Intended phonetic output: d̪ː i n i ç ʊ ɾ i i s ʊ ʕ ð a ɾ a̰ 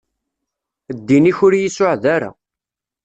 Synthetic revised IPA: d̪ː i n i ç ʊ ɾ j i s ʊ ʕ ð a ɾ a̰